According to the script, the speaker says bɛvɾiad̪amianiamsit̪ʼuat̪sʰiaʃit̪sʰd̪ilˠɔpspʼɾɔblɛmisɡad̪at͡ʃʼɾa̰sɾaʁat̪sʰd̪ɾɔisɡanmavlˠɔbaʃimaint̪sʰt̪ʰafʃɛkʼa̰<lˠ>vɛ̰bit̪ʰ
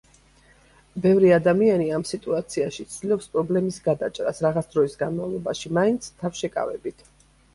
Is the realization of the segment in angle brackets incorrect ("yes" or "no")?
yes